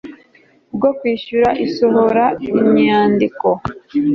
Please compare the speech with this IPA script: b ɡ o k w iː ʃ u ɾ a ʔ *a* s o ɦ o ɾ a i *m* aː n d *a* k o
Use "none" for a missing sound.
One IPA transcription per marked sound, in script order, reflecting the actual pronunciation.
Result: i, ɲ, i

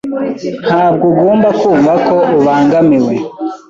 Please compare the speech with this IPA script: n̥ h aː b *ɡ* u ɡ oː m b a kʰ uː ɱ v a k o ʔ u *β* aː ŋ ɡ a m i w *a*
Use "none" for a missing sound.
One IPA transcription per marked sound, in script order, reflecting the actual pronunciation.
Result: ɡ, β, e

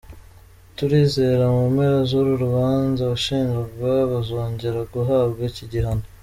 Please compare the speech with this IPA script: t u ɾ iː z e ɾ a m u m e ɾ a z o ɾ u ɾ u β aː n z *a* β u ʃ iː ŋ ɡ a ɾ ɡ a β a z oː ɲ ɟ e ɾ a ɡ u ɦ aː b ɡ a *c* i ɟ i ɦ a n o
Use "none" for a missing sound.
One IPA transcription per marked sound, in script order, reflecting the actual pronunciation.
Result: a, c

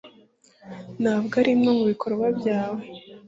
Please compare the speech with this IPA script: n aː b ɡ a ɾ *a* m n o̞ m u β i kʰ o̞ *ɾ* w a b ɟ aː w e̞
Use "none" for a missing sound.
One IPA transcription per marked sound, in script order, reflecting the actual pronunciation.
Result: i, ɾ

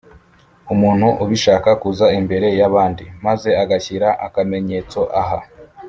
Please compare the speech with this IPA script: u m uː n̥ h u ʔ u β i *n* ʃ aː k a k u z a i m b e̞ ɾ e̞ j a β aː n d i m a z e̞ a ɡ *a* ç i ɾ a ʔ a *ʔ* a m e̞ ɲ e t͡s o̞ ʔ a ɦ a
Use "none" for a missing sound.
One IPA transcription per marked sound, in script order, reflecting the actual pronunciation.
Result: none, a, k

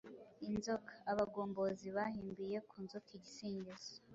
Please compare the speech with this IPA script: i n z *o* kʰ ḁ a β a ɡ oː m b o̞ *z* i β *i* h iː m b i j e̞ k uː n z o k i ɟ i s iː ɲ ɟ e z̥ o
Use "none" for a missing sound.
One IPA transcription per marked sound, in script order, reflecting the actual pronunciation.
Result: o, z, a

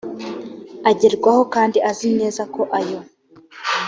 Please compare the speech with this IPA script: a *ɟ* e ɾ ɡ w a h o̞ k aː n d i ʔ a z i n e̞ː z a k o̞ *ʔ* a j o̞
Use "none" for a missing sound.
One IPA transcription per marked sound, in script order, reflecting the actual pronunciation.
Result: ɟ, ʔ

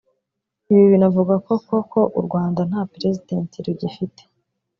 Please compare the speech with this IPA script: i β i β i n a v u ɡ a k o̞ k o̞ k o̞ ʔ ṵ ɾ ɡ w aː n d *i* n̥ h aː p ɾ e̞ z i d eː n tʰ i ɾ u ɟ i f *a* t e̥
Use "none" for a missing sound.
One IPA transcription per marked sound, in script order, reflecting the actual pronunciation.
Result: a, i

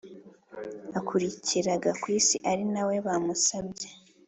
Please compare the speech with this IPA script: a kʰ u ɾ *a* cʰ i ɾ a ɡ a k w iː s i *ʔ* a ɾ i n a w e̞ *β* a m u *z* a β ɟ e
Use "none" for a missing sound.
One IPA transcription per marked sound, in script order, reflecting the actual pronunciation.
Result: i, ʔ, β, s

